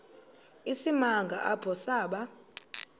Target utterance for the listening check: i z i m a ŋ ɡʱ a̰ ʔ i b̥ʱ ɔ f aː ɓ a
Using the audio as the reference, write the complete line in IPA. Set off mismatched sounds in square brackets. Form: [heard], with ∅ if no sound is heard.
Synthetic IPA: i [s] i m a ŋ ɡʱ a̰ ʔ [a] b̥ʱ ɔ [s] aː ɓ a